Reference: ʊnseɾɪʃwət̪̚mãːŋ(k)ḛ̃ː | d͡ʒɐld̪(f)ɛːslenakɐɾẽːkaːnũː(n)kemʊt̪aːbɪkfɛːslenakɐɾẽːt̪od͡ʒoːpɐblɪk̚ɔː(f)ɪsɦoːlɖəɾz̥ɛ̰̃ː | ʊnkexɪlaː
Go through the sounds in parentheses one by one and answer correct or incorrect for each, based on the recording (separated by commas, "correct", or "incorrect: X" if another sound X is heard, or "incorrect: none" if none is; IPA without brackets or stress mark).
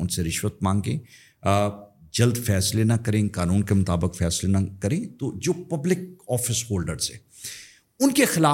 incorrect: ɡ, correct, correct, correct